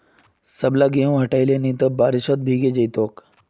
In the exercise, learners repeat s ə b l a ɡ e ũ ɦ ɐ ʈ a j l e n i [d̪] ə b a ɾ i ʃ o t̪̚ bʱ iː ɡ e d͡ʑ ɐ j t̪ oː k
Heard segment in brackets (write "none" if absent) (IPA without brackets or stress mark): t̪